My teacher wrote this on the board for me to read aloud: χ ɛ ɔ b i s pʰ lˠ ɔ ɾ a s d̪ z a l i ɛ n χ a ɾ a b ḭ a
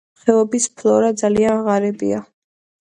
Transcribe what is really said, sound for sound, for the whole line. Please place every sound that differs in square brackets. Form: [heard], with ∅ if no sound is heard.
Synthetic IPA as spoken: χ ɛ ɔ b i s pʰ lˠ ɔ ɾ a [∅] d̪ z a l i [a] n [ʁ] a ɾ [ɛ] b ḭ a